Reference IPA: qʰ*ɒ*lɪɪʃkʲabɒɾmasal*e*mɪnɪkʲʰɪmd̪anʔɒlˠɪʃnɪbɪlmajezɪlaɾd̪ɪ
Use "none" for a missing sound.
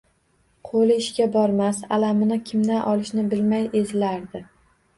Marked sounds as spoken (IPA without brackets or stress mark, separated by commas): o, a